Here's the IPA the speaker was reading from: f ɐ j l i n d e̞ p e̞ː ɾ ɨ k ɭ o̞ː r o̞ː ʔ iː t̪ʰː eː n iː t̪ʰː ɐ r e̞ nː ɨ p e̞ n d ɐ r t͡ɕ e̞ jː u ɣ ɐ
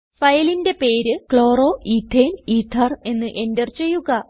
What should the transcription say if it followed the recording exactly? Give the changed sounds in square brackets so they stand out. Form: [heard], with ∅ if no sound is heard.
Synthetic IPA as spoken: f ɐ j l i n d e̞ p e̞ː ɾ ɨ k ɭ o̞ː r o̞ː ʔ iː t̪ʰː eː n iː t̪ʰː ɐ r e̞ nː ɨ [ʔ] e̞ n d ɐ r t͡ɕ e̞ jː u ɣ ɐ